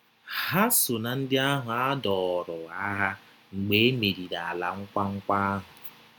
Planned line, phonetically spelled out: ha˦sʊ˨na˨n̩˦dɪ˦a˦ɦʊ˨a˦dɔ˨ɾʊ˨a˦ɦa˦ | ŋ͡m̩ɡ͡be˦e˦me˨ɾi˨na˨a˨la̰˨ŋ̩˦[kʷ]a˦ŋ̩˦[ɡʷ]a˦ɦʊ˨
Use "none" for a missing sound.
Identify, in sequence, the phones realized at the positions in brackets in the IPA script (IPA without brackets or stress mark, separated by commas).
kʷ, kʷ